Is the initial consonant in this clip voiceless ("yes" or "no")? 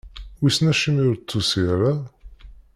no